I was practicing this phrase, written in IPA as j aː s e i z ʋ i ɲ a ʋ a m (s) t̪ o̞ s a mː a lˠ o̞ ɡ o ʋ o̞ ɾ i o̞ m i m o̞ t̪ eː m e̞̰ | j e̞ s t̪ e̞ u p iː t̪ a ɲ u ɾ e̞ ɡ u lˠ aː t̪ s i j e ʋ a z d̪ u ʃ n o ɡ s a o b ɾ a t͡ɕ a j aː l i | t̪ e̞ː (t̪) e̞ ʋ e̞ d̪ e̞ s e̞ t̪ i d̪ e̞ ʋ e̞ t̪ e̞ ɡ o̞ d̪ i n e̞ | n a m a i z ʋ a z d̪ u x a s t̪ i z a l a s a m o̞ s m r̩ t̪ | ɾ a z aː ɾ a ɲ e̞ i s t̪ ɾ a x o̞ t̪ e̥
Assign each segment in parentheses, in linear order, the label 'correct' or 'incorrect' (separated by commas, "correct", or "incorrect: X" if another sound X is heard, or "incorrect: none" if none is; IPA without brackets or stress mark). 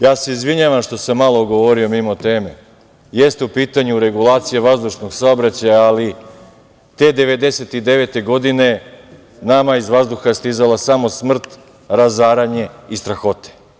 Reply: incorrect: ʃ, incorrect: d̪